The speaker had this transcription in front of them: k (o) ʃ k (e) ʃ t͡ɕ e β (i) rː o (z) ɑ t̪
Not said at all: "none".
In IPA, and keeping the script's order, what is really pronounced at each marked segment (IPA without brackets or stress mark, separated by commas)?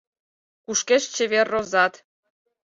u, e, e, z